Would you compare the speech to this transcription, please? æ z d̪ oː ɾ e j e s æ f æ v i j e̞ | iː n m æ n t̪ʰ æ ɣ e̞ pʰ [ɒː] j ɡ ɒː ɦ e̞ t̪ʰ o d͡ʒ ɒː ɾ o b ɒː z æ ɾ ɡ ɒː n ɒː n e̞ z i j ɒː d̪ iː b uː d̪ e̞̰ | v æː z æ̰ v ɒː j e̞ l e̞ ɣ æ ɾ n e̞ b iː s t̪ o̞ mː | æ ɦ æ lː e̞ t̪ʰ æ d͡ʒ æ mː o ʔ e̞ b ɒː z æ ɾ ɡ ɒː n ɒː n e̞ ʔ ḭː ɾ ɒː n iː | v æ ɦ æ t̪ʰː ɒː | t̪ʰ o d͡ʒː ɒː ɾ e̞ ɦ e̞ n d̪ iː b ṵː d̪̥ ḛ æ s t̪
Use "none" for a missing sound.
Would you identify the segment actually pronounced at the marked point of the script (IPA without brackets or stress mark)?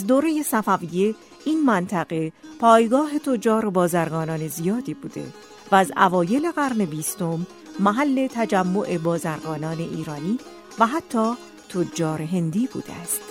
ɒː